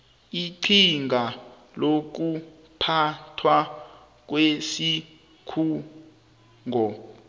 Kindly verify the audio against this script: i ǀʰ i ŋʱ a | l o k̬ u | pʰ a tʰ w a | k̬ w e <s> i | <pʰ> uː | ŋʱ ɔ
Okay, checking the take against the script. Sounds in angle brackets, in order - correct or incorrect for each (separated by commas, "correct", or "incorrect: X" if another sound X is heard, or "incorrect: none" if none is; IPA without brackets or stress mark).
correct, incorrect: kʰ